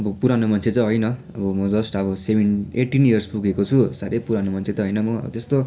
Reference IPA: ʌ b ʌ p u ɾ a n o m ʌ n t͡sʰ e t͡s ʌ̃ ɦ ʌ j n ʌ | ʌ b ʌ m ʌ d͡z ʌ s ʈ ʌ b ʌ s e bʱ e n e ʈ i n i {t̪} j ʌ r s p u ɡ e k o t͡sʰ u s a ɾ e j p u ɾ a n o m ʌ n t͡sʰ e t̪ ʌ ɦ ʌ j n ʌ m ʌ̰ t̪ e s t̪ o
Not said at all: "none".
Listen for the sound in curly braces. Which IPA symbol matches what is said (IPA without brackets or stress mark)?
none